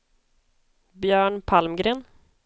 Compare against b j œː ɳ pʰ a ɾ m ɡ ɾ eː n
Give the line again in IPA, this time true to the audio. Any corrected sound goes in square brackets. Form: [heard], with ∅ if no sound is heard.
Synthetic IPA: b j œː ɳ pʰ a [l] m ɡ ɾ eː n